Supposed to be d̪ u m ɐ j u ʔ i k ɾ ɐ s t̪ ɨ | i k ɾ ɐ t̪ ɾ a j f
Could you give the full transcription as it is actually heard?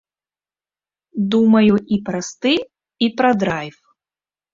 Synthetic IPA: d̪ u m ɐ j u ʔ i p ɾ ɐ s t̪ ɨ | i p ɾ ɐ d̪ ɾ a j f